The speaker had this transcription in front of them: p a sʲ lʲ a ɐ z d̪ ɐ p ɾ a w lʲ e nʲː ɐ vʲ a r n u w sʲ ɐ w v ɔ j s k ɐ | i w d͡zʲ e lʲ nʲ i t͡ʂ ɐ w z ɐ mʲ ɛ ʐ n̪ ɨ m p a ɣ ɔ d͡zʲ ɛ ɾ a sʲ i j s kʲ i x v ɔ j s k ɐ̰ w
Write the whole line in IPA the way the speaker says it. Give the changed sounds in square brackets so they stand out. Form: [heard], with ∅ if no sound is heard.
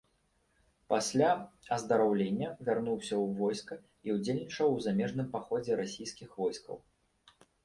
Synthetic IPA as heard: p a sʲ lʲ a ɐ z d̪ ɐ [∅] ɾ a w lʲ e nʲː ɐ vʲ a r n u w sʲ ɐ w v ɔ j s k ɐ | i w d͡zʲ e lʲ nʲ i t͡ʂ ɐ w z [a] mʲ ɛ ʐ n̪ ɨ m p a [x] ɔ d͡zʲ ɛ ɾ a sʲ i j s kʲ i x v ɔ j s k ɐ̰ w